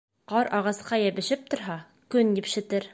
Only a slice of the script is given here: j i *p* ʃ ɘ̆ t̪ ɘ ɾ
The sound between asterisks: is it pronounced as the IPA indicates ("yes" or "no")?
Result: yes